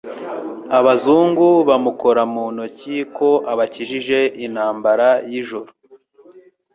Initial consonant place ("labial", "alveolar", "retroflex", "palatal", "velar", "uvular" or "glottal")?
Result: labial